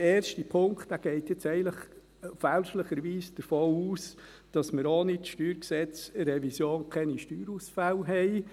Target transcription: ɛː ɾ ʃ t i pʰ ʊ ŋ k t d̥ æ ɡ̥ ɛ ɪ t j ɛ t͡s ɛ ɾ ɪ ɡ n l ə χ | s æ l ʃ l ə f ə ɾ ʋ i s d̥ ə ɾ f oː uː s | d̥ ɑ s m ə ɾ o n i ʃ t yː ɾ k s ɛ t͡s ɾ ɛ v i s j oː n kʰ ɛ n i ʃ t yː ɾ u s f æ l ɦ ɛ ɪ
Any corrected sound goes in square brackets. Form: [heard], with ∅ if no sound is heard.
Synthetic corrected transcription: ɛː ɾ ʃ t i pʰ ʊ ŋ k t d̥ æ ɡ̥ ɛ ɪ t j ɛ t͡s ɛ [∅] ɪ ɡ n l ə χ | [f] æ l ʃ l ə [χ] ə ɾ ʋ [iː] s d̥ ə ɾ f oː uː s | d̥ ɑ s m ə ɾ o n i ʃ t yː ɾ k s ɛ t͡s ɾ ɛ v i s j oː n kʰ ɛ n i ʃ t yː ɾ u s f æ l ɦ ɛ ɪ